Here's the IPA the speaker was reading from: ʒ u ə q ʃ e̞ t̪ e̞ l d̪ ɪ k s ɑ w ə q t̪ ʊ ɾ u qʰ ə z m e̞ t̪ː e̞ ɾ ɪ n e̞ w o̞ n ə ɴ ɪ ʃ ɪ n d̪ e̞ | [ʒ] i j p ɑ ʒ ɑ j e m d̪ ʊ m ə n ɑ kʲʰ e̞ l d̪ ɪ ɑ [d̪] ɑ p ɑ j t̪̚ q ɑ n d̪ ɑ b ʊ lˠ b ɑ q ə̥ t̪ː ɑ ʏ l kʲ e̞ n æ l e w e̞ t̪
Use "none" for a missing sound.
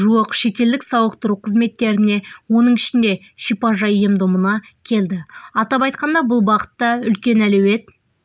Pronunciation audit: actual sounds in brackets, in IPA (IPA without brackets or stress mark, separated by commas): ʃ, t̪